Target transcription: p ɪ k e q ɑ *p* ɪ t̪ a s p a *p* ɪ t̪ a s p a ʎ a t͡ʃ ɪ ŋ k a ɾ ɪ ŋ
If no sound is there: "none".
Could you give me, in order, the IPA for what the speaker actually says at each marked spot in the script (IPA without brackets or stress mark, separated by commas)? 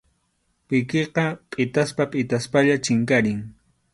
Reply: pʼ, pʼ